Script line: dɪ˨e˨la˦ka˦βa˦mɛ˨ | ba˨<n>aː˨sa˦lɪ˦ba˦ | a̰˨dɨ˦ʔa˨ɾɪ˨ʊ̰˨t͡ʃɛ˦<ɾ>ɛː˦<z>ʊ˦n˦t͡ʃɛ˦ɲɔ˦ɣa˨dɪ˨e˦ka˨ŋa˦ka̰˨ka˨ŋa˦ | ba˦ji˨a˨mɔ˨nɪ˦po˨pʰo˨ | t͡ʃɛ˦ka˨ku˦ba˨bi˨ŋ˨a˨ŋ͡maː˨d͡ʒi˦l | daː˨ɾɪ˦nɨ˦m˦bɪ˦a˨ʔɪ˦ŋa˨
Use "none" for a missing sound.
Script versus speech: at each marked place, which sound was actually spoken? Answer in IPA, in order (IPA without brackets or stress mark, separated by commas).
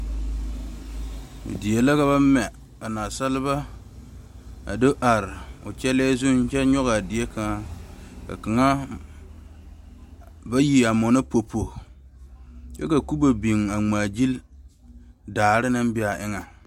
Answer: n, l, z